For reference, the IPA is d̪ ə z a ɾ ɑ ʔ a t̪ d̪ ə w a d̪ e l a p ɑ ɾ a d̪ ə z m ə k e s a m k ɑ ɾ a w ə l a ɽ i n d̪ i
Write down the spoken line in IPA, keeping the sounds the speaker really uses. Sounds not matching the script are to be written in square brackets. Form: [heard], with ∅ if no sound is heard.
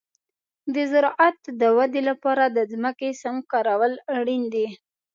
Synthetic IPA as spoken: d̪ ə z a ɾ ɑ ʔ a t̪ d̪ ə w a d̪ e l a p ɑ ɾ a d̪ ə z m ə k e s a m k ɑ ɾ a w ə l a ɽ i n d̪ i